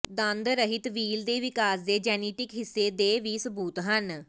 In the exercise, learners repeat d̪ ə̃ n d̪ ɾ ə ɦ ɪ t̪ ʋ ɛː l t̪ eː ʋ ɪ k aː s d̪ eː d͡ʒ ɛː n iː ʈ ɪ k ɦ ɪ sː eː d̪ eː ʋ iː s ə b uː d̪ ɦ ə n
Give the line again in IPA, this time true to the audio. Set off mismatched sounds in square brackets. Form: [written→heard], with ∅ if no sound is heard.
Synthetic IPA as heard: d̪ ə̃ n d̪ ɾ ə ɦ ɪ t̪ ʋ [ɛː→iː] l [t̪→d̪] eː ʋ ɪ k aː s d̪ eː d͡ʒ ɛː n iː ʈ ɪ k ɦ ɪ sː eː d̪ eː ʋ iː s ə b uː [d̪→t̪] ɦ ə n

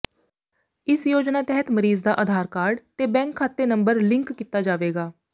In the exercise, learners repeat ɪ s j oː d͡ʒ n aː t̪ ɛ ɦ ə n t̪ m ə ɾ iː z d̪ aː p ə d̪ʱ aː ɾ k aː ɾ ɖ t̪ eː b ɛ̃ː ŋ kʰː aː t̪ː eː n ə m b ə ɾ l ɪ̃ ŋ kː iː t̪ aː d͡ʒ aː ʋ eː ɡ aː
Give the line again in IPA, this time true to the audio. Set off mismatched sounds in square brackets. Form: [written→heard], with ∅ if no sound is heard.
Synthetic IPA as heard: ɪ s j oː d͡ʒ n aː t̪ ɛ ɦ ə [n→∅] t̪ m ə ɾ iː z d̪ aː [p→ʔ] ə d̪ʱ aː ɾ k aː ɾ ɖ t̪ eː b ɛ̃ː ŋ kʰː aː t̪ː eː n ə m b ə ɾ l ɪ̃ ŋ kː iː t̪ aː d͡ʒ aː ʋ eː ɡ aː

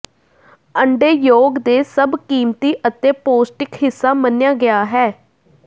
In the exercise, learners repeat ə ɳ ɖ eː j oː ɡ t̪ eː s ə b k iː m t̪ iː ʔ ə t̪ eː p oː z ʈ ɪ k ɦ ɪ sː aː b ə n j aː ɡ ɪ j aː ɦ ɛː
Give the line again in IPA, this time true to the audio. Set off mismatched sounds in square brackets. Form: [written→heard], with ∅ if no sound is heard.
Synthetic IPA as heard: ə ɳ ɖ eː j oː ɡ [t̪→d̪] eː s ə b k iː m t̪ iː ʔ ə t̪ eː p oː [z→s] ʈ ɪ k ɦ ɪ sː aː [b→m] ə n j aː ɡ ɪ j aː ɦ ɛː

